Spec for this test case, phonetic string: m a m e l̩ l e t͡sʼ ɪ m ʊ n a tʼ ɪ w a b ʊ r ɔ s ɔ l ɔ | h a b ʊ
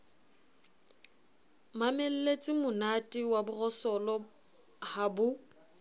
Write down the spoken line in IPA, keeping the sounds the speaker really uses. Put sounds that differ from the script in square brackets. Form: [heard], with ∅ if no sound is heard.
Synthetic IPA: m a m e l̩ l e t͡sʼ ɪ m ʊ n a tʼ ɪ w a b ʊ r ɔ s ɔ l ɔ | h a b ʊ